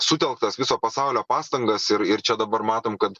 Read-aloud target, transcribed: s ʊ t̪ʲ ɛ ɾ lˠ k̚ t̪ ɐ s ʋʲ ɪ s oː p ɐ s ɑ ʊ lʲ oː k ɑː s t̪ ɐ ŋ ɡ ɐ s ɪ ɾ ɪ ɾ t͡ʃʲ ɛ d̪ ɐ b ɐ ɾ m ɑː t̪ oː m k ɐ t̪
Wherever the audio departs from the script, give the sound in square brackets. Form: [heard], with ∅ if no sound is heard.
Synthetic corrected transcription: s ʊ t̪ʲ ɛ [∅] lˠ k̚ t̪ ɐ s ʋʲ ɪ s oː p ɐ s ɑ ʊ lʲ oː [p] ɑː s t̪ ɐ ŋ ɡ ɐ s ɪ ɾ ɪ ɾ t͡ʃʲ ɛ d̪ ɐ b ɐ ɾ m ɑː t̪ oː m k ɐ t̪